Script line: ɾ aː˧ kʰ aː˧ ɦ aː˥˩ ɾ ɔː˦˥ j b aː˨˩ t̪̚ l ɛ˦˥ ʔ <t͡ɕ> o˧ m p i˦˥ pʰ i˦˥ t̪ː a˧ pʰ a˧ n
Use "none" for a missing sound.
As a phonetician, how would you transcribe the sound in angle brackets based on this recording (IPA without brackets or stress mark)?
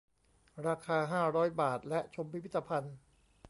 t͡ɕʰ